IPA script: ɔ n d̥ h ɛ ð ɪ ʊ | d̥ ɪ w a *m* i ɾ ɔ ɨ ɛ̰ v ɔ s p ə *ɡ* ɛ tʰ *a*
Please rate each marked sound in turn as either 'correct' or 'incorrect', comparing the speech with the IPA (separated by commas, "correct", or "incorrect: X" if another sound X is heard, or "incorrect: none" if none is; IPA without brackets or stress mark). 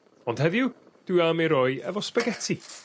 correct, correct, incorrect: i